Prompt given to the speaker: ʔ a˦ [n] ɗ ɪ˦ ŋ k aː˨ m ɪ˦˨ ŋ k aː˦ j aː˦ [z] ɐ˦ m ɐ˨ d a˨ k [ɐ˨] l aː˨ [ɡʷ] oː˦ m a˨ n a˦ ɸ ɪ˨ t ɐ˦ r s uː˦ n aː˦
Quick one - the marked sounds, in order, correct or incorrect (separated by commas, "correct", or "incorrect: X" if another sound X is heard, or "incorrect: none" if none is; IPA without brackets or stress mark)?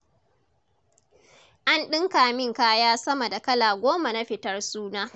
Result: correct, incorrect: s, incorrect: ɐ˦, correct